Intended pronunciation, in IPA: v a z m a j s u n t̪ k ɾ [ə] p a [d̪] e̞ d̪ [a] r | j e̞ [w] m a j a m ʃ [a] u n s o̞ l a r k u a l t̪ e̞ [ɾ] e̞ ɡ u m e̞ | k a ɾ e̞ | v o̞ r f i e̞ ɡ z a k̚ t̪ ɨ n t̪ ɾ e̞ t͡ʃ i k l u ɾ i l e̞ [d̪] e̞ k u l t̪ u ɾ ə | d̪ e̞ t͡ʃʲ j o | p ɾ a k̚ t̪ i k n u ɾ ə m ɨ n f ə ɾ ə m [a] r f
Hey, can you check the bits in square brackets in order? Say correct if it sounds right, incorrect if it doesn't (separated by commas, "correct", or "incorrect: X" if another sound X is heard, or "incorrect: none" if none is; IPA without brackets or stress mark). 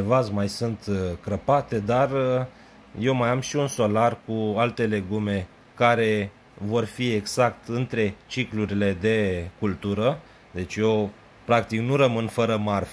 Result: correct, incorrect: t̪, correct, correct, incorrect: i, incorrect: l, correct, correct